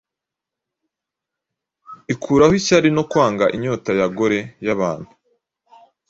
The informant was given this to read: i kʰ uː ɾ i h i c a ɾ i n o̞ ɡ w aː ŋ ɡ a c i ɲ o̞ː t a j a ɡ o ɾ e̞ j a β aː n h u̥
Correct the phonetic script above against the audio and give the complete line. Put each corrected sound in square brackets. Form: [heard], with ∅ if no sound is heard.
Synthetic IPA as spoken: i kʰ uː ɾ [a] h i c a ɾ i n o̞ [k] w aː ŋ ɡ a [ʔ] i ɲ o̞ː t a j a ɡ o ɾ e̞ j a β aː n h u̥